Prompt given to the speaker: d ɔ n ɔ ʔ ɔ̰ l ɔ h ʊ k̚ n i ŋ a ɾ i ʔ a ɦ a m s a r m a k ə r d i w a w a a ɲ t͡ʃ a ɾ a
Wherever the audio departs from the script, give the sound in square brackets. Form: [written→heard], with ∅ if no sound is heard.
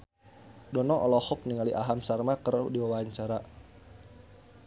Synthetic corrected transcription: d ɔ n ɔ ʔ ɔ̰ l ɔ h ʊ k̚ n i ŋ a [ɾ→l] i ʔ a ɦ a m s a r m a k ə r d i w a w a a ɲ t͡ʃ a ɾ a